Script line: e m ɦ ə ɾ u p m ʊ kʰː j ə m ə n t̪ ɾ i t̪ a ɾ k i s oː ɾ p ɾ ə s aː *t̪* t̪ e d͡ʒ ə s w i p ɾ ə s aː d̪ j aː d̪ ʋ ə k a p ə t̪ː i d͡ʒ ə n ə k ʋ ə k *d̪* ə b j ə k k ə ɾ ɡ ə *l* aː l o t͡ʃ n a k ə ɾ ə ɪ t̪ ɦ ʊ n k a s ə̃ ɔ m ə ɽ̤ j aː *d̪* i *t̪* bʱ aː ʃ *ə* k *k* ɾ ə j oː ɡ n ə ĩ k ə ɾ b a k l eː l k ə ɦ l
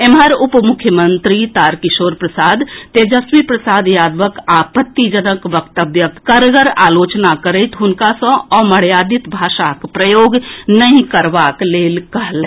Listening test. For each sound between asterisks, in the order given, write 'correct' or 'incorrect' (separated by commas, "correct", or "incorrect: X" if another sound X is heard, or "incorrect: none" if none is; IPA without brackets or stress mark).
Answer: incorrect: d̪, incorrect: t̪, incorrect: ɾ, correct, correct, incorrect: a, incorrect: p